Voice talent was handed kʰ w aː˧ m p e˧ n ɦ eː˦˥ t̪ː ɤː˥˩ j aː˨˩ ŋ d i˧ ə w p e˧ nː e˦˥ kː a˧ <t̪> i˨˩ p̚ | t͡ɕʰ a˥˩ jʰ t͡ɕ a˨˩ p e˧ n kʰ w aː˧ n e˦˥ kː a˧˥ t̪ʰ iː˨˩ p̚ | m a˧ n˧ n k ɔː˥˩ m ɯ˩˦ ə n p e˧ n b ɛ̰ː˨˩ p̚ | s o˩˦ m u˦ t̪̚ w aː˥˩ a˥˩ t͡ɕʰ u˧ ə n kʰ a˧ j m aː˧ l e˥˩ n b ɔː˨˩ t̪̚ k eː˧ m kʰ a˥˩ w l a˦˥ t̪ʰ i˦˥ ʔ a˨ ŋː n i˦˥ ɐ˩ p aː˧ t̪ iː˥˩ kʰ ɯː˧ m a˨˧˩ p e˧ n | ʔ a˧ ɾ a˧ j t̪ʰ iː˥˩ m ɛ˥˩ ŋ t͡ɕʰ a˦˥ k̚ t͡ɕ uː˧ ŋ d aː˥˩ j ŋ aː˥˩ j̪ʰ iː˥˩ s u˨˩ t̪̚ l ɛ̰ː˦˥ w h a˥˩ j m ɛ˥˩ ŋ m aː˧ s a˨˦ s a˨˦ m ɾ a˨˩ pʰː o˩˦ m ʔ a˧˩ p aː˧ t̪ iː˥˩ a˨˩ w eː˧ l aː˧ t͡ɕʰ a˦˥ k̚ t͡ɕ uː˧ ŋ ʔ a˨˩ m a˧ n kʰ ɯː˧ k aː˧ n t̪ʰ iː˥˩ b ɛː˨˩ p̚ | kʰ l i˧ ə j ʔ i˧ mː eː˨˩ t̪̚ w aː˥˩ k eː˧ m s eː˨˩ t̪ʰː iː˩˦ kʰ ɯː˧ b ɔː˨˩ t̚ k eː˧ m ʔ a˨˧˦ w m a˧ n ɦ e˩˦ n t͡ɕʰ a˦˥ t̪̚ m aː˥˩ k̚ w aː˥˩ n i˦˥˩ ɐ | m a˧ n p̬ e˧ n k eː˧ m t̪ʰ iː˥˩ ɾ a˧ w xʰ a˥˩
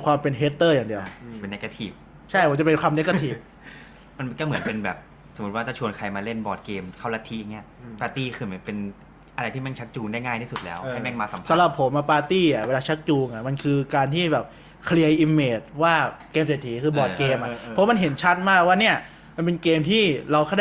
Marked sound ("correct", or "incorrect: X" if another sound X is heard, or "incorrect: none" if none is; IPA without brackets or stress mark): incorrect: t̪ʰ